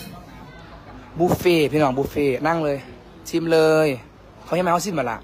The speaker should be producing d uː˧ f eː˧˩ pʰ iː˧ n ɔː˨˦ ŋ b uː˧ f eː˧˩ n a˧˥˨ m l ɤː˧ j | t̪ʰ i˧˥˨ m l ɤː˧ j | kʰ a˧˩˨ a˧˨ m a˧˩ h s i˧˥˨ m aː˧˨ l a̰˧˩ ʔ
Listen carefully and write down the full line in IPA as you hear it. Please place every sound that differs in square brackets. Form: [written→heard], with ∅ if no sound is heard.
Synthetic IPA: [d→b] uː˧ f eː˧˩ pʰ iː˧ n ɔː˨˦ ŋ b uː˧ f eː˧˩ n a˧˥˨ [m→ŋ] l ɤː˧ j | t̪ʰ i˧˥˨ m l ɤː˧ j | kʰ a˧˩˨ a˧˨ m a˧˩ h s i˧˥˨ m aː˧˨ l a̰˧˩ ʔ

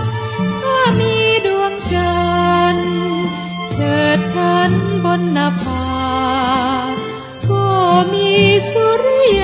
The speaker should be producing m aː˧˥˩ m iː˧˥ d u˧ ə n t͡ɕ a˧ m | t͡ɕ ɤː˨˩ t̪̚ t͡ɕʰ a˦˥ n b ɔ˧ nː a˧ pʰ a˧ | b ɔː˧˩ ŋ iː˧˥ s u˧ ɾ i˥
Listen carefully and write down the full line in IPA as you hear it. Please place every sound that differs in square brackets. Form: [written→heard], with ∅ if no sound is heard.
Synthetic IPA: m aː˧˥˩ m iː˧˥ d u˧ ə [n→ŋ] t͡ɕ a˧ [m→n] | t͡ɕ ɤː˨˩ t̪̚ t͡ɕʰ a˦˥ n b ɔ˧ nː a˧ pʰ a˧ | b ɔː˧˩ [ŋ→m] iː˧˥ s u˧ ɾ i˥

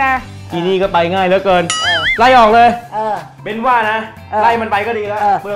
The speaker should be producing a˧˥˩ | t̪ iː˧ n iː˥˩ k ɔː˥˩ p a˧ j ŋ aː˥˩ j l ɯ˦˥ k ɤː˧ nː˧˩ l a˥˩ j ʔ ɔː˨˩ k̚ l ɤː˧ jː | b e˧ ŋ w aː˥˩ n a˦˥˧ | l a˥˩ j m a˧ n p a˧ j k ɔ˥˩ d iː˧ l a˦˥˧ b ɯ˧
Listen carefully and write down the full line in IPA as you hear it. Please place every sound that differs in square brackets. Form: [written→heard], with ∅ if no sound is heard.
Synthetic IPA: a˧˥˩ | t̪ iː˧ n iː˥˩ k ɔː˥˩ p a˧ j ŋ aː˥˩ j l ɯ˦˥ k ɤː˧ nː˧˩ l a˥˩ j ʔ ɔː˨˩ k̚ l ɤː˧ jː | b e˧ [ŋ→n] w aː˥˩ n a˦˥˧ | l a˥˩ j m a˧ n p a˧ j k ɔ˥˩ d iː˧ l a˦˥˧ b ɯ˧

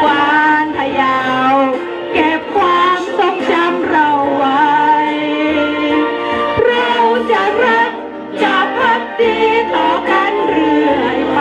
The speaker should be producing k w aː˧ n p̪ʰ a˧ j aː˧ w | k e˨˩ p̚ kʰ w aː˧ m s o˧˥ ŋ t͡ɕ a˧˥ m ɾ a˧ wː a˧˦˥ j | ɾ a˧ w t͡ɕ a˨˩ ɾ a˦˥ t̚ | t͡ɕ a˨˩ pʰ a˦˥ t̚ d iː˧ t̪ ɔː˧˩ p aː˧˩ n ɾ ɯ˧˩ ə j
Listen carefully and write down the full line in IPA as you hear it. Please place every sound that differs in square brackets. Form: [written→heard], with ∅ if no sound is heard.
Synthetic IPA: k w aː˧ n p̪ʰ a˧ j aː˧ w | k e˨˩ p̚ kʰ w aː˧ m s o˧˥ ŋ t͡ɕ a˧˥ m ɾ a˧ wː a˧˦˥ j | ɾ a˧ w t͡ɕ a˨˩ ɾ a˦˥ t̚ | t͡ɕ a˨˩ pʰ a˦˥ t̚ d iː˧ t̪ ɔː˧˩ [p→k] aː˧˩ n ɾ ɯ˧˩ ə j

